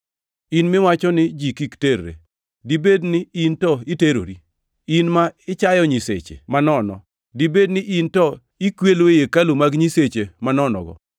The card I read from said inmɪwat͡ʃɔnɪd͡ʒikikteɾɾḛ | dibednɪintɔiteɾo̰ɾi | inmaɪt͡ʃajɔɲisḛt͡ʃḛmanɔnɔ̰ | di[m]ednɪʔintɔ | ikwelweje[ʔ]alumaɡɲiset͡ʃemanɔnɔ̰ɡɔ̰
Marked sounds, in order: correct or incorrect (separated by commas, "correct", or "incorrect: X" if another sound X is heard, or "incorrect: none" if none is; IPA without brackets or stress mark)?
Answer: incorrect: b, incorrect: k